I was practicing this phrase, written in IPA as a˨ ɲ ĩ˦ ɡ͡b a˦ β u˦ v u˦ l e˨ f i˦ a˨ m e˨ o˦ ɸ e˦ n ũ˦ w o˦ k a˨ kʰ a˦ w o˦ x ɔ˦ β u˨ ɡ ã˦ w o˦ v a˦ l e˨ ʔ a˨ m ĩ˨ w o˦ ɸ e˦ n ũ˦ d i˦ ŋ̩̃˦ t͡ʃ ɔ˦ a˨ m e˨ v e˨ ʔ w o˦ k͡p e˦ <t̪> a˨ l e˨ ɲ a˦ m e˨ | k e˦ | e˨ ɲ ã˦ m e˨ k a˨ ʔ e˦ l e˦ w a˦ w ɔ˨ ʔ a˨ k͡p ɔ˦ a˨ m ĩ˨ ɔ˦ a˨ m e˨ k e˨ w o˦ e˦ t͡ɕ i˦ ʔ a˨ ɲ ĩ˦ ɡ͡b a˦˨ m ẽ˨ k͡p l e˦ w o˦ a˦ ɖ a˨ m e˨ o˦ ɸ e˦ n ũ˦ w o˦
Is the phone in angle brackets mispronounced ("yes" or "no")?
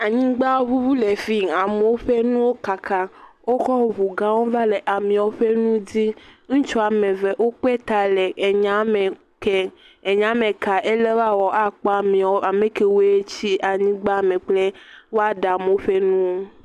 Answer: no